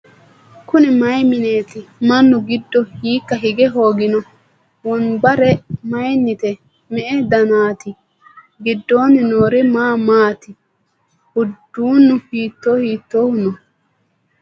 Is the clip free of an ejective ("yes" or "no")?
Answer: yes